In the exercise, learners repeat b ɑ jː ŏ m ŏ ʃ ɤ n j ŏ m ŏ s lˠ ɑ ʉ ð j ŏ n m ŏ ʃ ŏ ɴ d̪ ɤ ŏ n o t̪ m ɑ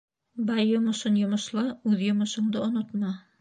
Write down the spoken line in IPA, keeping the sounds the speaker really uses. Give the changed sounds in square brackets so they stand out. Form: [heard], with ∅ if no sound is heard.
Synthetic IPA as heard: b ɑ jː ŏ m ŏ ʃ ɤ n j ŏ m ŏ [ʃ] lˠ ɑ ʉ ð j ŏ [∅] m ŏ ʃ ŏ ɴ d̪ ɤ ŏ n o t̪ m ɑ